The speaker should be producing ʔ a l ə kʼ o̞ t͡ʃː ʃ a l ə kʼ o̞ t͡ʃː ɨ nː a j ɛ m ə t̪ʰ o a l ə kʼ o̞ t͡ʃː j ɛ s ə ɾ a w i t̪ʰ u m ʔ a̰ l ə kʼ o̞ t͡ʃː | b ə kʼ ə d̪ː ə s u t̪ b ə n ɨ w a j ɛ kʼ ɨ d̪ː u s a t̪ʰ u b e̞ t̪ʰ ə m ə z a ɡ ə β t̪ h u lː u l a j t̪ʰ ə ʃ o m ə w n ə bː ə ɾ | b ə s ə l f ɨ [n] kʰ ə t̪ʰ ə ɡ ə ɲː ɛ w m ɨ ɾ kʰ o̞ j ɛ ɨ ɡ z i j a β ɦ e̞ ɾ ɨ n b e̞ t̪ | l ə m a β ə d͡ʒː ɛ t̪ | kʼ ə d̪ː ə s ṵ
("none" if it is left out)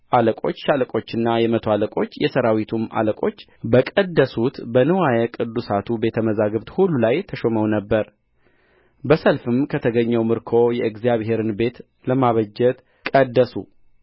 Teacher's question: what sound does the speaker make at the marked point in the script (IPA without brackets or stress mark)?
m